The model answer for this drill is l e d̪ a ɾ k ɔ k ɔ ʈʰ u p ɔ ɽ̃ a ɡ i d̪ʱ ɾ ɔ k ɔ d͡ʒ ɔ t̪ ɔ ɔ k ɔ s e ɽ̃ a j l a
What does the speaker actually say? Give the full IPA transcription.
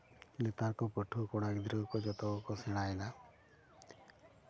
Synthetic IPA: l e t̪ a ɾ k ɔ p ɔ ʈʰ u k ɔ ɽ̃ a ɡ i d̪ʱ ɾ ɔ k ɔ d͡ʒ ɔ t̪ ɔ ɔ k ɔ s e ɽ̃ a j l a